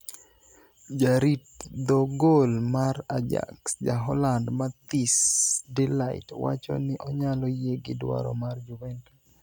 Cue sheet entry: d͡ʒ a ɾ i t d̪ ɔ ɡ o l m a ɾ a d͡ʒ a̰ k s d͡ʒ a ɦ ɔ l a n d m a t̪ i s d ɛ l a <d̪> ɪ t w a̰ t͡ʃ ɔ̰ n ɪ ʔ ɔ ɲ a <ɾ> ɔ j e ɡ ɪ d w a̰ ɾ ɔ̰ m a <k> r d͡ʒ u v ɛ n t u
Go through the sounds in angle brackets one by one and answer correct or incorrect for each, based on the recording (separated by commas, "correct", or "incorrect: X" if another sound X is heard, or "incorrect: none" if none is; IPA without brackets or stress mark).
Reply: incorrect: none, incorrect: l, incorrect: none